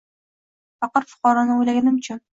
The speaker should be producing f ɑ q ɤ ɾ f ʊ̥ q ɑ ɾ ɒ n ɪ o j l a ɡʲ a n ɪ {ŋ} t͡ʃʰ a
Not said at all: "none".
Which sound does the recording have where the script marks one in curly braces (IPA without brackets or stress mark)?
m